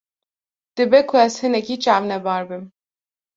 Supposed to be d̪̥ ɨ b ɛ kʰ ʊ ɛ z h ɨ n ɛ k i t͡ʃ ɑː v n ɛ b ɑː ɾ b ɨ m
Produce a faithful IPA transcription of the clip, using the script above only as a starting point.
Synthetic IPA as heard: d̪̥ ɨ b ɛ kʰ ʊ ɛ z h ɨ n ɛ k i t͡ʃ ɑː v n ɛ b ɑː ɾ b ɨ m